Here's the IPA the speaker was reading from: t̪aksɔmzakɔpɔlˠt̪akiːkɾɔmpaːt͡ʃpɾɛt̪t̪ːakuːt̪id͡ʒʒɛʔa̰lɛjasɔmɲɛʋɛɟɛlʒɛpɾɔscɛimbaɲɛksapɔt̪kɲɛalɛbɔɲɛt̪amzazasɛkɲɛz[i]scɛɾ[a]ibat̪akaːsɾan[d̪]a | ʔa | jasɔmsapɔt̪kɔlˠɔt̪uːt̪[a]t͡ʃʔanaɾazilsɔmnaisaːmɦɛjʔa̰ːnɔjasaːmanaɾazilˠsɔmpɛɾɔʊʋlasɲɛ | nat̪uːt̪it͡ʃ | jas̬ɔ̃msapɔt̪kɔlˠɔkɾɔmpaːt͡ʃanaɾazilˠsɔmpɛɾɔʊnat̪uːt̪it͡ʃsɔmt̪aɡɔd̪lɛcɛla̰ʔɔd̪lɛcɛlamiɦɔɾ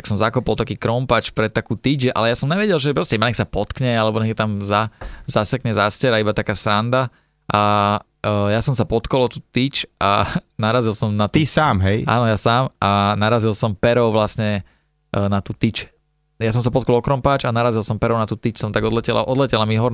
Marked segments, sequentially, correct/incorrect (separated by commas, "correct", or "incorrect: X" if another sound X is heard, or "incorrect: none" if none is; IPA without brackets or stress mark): incorrect: a, correct, correct, incorrect: i